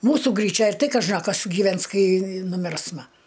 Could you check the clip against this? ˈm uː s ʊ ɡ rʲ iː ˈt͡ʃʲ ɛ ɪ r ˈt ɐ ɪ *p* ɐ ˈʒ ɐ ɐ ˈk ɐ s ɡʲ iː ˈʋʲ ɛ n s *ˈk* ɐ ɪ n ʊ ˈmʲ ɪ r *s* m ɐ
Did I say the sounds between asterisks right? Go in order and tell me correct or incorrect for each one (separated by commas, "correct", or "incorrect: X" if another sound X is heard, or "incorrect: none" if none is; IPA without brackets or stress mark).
incorrect: k, correct, correct